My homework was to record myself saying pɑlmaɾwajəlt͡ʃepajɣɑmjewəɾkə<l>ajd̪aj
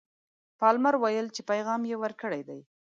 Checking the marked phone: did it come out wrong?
yes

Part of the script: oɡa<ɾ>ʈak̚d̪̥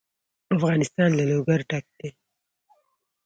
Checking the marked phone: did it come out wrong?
no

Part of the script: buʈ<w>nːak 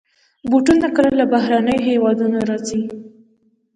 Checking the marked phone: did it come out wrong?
yes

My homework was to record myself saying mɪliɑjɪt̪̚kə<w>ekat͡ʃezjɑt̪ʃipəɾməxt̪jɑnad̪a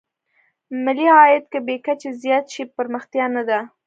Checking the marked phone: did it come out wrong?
yes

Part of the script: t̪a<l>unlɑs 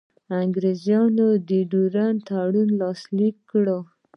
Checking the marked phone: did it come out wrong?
yes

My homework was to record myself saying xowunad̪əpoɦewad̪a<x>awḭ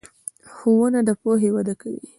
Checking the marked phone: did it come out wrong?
yes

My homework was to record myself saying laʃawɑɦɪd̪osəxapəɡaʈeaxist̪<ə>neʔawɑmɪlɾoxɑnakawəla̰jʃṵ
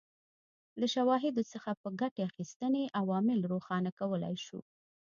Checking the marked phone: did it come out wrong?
no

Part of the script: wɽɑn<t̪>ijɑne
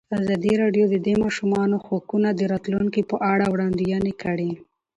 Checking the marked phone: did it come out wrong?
yes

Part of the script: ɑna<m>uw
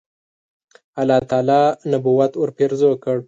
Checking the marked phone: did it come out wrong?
yes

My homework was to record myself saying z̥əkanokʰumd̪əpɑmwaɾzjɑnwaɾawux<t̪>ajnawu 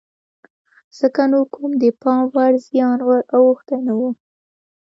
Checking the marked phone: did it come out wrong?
no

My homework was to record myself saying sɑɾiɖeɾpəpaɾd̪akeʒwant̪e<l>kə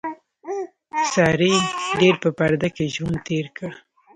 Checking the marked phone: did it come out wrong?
yes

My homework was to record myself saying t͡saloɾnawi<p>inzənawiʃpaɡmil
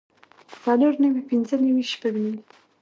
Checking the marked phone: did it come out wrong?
no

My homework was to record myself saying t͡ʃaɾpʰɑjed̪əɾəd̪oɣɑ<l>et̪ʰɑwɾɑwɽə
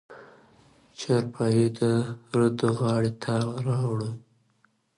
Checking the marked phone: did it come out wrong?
yes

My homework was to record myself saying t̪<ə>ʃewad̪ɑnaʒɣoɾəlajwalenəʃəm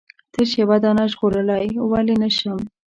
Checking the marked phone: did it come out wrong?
no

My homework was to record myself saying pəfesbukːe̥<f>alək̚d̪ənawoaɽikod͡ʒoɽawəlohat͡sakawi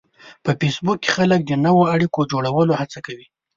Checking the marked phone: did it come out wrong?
yes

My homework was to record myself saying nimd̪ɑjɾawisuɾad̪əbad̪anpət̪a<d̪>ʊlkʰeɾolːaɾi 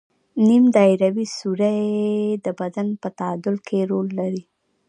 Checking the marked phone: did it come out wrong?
no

